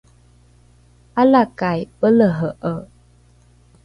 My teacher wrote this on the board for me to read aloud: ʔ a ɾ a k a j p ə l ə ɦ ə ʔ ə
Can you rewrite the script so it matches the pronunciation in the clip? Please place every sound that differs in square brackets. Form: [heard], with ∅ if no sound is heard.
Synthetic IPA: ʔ a [l] a k a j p ə l ə ɦ ə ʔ ə